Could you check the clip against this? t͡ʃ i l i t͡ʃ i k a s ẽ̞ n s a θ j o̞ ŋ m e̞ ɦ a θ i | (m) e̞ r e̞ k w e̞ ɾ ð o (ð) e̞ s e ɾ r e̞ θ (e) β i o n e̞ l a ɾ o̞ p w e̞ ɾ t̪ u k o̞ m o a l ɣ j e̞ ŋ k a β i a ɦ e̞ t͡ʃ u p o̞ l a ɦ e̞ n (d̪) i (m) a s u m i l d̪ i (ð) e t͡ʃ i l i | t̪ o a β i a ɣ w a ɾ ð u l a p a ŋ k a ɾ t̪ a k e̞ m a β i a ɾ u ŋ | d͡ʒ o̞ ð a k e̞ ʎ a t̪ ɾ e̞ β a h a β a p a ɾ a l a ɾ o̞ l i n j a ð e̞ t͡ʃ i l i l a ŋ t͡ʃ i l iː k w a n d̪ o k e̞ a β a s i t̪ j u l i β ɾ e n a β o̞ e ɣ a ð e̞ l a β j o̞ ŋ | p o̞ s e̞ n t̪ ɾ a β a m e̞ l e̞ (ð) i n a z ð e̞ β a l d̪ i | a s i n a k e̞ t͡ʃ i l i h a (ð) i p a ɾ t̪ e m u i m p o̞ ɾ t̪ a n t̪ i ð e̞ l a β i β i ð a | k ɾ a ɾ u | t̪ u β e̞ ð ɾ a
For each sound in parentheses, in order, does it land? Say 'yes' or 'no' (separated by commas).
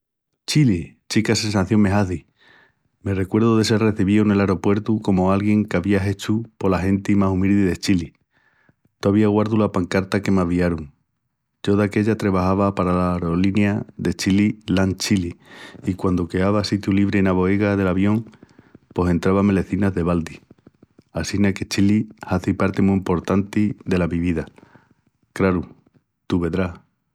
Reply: yes, yes, no, no, yes, yes, no, no